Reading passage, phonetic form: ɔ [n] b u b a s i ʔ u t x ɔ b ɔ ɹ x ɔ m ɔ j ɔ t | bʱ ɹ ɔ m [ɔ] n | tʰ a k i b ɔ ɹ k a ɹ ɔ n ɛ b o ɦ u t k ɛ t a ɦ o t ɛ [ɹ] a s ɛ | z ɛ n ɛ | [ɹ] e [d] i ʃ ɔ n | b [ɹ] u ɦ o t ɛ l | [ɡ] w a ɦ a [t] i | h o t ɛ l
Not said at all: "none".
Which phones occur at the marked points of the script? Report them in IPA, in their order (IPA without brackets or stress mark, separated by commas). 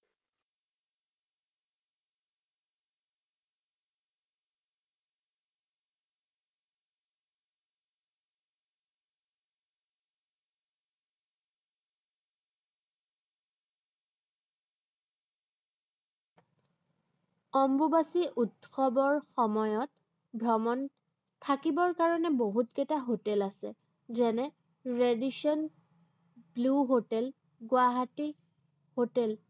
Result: m, ɔ, l, ɹ, d, l, ɡ, t